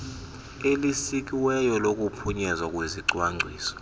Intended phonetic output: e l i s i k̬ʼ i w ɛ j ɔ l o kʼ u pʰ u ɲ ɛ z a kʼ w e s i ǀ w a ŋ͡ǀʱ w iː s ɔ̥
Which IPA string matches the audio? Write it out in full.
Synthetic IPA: e l i s i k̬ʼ i w ɛ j ɔ l o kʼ u pʰ u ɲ ɛ z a kʼ w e z i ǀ w a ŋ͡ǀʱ w iː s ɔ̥